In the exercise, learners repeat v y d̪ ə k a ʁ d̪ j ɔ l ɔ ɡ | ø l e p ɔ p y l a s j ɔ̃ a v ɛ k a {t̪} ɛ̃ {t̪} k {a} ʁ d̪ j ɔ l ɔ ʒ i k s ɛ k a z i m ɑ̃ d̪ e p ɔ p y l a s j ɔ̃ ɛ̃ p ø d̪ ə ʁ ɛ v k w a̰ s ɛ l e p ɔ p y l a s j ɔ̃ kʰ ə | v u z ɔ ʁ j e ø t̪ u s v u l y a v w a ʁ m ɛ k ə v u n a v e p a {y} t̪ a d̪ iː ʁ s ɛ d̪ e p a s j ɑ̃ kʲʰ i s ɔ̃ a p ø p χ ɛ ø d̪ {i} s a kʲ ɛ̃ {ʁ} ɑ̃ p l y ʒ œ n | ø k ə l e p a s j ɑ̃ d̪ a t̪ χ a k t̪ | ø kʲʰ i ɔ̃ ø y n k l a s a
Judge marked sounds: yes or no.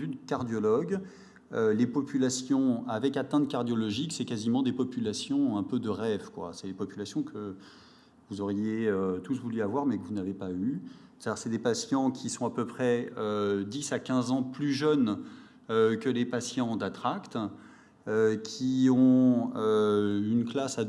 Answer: yes, yes, yes, yes, yes, no

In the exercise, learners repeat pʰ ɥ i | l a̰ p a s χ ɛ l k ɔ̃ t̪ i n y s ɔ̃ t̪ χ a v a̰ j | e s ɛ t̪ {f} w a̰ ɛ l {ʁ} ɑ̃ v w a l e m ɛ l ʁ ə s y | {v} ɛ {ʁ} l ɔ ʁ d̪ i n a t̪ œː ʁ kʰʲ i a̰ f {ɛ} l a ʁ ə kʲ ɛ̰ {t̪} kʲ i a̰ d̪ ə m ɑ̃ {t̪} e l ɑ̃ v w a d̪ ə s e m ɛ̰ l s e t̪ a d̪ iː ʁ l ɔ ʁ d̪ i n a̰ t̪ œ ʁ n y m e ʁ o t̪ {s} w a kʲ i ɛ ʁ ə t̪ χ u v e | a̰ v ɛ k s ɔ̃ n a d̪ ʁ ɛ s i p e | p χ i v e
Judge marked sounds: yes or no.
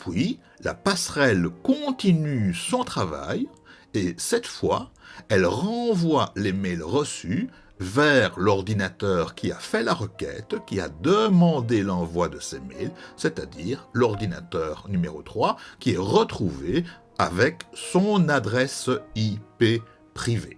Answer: yes, yes, yes, yes, yes, yes, no, no

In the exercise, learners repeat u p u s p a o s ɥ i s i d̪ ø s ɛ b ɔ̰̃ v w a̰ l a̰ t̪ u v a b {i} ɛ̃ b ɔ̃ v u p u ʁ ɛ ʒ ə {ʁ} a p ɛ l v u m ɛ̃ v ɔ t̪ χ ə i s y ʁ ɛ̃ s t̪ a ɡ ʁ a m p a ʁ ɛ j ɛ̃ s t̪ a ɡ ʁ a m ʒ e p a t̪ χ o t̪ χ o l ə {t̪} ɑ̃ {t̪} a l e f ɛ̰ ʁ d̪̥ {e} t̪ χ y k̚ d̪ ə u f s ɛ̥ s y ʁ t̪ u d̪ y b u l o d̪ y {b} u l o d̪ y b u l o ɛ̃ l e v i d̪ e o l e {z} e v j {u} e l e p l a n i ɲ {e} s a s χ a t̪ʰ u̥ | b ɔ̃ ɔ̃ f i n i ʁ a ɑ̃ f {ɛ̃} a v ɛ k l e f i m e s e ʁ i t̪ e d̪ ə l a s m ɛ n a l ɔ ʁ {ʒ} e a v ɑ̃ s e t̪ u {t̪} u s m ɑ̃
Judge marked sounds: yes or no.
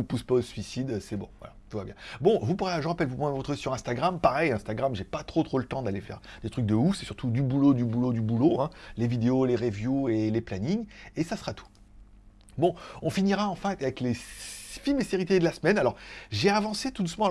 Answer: no, yes, yes, no, yes, yes, no, yes, yes, yes, yes, no

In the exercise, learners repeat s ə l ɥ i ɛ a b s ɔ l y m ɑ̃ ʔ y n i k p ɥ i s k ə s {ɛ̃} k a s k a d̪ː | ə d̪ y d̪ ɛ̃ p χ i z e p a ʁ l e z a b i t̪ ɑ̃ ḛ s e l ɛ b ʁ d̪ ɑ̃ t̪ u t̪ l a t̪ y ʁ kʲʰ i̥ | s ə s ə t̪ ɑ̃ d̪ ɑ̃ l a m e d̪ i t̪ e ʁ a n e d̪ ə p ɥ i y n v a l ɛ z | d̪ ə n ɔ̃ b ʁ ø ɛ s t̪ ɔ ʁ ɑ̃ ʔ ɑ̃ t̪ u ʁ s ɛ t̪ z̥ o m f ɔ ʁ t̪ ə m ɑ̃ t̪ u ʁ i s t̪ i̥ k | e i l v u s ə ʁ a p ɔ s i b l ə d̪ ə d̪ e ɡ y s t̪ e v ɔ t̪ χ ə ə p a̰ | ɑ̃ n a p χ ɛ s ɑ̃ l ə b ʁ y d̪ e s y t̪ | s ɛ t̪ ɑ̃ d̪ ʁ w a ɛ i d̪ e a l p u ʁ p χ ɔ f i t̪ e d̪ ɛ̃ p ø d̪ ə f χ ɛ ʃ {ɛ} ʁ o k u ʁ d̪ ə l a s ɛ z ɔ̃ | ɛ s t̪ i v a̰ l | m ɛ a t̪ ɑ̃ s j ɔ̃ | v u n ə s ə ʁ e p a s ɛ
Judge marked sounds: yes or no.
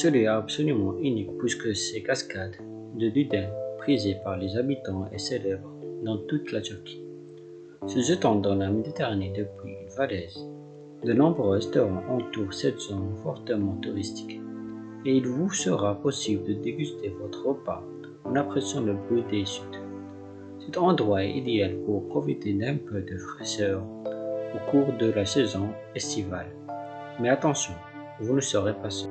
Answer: no, no

